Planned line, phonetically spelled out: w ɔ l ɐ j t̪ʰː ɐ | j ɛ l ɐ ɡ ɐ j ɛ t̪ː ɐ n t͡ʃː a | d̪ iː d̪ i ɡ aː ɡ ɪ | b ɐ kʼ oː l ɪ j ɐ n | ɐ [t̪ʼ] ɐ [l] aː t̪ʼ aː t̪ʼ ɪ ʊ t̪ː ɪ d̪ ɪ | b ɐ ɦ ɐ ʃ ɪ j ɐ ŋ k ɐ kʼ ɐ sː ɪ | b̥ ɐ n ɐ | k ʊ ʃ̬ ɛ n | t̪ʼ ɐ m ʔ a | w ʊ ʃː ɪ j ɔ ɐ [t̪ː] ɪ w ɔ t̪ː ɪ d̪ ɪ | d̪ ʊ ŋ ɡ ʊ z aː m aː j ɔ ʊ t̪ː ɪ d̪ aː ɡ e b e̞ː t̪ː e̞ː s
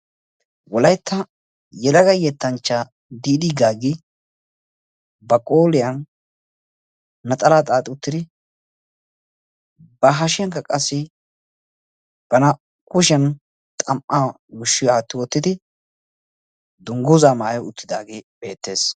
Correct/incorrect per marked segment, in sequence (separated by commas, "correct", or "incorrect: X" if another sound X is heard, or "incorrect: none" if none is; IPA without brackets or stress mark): correct, correct, correct